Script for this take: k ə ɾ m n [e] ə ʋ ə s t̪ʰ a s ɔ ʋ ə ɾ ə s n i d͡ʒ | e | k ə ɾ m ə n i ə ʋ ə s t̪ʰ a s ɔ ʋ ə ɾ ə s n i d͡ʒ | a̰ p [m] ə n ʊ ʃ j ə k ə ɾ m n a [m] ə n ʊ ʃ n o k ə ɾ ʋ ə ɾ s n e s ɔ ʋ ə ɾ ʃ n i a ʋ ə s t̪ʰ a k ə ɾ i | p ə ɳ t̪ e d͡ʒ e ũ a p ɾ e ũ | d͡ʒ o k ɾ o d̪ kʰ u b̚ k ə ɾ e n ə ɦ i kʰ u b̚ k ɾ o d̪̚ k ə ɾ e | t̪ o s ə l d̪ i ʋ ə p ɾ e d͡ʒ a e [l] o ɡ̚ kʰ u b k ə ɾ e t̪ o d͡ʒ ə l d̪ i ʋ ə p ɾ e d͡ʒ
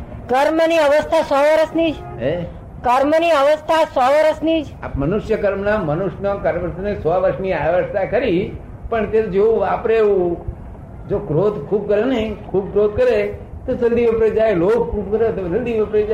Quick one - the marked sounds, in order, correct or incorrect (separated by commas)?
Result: incorrect, correct, correct, correct